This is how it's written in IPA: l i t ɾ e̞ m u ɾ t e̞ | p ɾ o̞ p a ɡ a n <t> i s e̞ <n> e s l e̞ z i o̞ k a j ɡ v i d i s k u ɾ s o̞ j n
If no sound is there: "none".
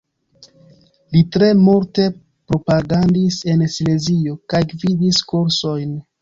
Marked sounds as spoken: d, n

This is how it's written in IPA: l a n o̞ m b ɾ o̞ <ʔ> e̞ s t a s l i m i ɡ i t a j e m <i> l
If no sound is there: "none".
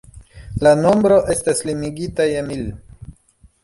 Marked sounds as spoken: ʔ, i

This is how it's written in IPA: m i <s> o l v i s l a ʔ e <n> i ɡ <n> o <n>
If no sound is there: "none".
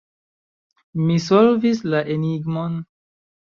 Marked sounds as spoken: s, n, m, n

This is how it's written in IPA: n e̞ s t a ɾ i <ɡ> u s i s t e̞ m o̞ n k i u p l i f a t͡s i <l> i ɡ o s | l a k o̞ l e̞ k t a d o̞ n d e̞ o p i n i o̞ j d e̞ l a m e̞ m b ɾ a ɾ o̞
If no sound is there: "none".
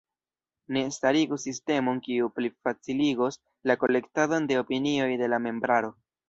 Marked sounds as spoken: ɡ, l

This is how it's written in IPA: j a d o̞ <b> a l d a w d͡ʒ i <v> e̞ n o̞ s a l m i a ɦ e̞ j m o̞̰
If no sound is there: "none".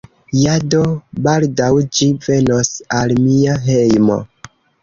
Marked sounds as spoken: b, v

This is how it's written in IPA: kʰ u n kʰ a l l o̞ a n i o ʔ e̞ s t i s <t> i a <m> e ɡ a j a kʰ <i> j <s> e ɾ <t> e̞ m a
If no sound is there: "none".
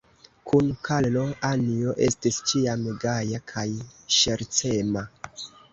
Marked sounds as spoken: t͡ʃ, m, a, ʃ, t͡s

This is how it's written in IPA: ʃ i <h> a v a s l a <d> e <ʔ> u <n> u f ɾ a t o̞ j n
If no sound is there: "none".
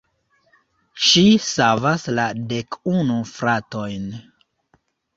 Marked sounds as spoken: s, d, k, n

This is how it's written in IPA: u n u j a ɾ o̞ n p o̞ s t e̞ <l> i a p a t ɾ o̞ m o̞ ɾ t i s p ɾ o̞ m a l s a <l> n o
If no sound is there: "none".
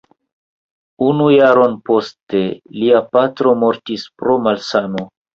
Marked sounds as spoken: l, none

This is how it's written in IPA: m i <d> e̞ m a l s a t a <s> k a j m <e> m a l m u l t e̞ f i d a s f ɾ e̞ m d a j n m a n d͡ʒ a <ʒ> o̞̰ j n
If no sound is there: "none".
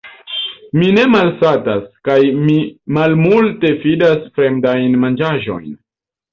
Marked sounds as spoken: n, s, i, ʒ

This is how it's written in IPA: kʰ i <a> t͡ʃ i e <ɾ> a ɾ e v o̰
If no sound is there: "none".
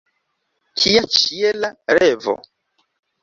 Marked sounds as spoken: a, l

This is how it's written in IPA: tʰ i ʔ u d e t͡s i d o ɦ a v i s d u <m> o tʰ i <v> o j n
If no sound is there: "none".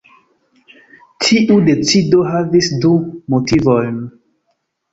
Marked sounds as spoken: m, v

